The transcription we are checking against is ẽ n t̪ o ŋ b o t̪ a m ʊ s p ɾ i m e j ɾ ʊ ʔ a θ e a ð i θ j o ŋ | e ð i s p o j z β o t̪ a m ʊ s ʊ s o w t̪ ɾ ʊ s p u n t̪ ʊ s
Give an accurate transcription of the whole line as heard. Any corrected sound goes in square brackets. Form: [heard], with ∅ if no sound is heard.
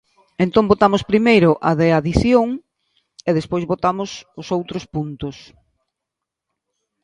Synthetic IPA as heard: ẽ n t̪ o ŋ b o t̪ a m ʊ s p ɾ i m e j ɾ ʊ ʔ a [ð] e a ð i θ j o ŋ | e ð [e] s p o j z β o t̪ a m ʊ s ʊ s o w t̪ ɾ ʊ s p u n t̪ ʊ s